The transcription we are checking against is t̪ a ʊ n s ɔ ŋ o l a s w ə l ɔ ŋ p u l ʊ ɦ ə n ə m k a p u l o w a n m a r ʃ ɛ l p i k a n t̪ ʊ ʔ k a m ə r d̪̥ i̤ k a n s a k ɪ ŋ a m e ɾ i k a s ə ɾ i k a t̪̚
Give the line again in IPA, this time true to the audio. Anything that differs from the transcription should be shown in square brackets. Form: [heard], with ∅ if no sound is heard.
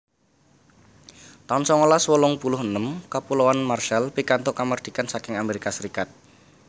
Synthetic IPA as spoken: t̪ a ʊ n s ɔ ŋ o l a s w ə l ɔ ŋ p u l ʊ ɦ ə n ə m k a p u l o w a n m a r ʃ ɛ l p i k a n t̪ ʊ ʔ k a m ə r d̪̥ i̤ k a n s a k ɪ ŋ a m e ɾ i k a s ə ɾ i k a t̪̚